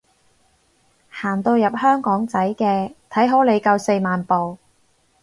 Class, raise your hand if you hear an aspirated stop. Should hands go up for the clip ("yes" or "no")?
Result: yes